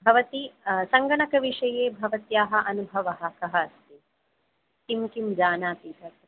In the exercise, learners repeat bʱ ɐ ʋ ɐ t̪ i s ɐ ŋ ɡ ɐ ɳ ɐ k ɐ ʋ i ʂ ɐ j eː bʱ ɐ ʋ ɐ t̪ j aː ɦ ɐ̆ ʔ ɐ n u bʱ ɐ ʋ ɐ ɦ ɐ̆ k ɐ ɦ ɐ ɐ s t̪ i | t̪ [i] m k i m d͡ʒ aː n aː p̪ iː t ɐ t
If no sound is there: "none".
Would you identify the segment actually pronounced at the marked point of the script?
i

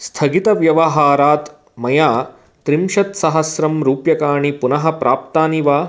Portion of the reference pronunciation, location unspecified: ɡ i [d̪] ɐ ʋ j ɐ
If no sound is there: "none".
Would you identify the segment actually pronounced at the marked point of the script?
t̪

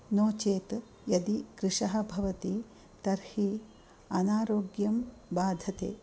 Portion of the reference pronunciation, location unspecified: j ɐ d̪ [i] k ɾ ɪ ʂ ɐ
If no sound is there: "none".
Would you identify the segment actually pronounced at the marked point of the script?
i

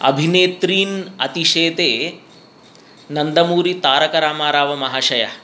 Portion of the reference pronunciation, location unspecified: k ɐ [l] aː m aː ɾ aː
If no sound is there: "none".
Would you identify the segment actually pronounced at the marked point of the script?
ɾ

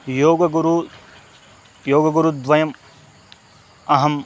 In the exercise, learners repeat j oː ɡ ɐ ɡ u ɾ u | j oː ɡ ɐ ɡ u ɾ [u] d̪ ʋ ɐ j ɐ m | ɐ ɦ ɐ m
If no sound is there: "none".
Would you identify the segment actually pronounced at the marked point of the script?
u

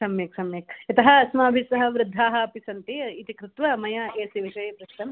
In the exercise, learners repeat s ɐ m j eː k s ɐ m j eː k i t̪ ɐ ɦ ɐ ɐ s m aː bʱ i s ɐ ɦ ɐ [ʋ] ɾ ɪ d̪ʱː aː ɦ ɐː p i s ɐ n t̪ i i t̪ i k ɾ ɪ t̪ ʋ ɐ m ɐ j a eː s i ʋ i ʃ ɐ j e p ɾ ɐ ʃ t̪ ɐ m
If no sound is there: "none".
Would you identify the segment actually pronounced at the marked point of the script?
ʋ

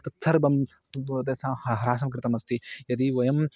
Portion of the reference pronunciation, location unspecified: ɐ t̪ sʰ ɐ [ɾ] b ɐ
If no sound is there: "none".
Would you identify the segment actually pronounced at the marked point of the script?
ɾ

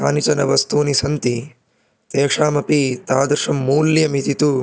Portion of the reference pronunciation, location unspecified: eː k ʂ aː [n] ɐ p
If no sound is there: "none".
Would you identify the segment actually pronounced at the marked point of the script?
m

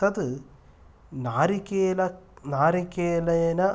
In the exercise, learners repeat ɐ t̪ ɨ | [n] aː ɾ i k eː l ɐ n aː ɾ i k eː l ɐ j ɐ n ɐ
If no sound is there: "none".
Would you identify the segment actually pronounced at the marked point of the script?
n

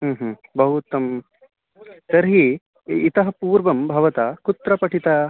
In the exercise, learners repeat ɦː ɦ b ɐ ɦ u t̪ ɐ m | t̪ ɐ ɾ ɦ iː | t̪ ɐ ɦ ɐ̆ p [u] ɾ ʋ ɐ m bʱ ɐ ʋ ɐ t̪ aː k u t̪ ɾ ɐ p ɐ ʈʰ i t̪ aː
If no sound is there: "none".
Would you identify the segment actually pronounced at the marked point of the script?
uː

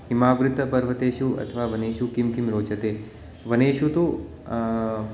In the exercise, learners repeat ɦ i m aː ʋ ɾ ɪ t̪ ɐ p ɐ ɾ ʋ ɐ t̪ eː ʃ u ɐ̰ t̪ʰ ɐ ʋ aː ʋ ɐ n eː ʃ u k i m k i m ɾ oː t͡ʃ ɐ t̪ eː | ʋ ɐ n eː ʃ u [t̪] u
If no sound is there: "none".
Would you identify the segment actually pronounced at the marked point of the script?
t̪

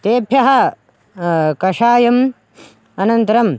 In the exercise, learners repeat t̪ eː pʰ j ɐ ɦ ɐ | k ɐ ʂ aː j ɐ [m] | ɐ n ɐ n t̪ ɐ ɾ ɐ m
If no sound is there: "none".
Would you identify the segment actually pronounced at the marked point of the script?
m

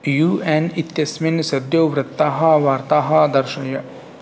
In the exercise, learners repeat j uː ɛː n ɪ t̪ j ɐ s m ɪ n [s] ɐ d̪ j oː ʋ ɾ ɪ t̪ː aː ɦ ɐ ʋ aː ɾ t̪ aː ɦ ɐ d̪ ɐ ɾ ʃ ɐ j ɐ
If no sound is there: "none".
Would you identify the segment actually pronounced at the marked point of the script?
s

